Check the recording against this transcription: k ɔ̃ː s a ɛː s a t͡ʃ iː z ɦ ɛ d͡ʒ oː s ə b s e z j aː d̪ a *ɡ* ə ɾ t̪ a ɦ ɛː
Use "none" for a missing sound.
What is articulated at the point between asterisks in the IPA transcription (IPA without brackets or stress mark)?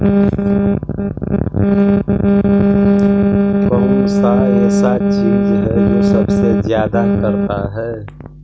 k